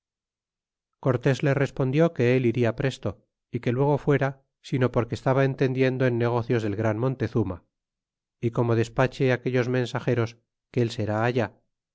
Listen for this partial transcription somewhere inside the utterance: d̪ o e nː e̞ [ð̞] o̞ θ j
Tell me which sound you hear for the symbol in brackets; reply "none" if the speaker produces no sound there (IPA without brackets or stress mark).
ɣ̞